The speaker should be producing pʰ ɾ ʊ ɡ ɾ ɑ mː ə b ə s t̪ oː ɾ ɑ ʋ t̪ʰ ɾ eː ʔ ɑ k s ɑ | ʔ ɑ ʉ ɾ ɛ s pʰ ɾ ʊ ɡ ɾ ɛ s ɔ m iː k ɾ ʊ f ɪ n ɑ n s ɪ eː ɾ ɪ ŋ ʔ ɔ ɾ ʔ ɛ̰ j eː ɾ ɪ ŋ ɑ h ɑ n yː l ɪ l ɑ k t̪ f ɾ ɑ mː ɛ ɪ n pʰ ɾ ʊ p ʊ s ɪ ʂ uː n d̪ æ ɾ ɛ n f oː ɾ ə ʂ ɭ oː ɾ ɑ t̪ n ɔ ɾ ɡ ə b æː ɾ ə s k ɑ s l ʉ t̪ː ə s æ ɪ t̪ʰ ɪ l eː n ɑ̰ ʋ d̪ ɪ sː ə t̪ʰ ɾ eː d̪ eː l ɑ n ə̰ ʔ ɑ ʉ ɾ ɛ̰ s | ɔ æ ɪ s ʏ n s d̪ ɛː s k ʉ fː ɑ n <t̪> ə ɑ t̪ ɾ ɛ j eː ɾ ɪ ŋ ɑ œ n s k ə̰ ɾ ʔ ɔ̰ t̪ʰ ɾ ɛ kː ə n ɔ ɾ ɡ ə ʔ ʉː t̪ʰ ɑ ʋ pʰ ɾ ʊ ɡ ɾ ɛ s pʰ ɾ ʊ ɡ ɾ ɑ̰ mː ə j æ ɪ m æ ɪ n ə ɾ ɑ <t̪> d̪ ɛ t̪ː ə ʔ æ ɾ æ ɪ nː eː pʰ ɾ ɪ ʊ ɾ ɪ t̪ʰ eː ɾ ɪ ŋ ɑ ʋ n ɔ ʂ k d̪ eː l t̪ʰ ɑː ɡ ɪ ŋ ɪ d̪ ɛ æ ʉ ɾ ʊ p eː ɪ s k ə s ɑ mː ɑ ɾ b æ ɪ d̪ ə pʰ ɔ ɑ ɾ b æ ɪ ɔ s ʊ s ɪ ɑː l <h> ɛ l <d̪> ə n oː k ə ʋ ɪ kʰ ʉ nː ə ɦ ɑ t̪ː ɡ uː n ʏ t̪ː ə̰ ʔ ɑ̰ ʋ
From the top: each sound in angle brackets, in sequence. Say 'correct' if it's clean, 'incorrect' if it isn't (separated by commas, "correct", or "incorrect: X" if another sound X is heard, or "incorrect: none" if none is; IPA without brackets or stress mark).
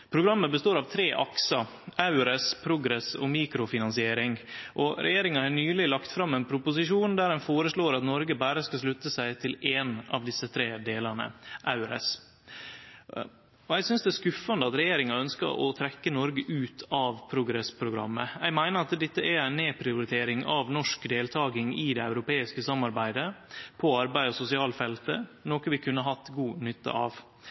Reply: incorrect: d̪, correct, incorrect: f, incorrect: t̪